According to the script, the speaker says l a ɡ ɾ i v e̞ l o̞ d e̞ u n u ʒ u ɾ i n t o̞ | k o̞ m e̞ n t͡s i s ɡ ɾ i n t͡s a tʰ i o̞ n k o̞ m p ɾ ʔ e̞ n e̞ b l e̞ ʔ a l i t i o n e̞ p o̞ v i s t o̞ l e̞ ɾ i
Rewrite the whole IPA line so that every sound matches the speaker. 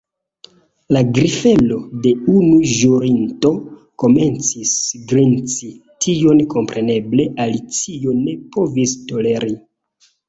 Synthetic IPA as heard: l a ɡ ɾ i f e̞ l o̞ d e̞ u n u ʒ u ɾ i n t o̞ | k o̞ m e̞ n t͡s i s ɡ ɾ i n t͡s i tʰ i o̞ n k o̞ m p ɾ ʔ e̞ n e̞ b l e̞ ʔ a l i t͡s i o n e̞ p o̞ v i s t o̞ l e̞ ɾ i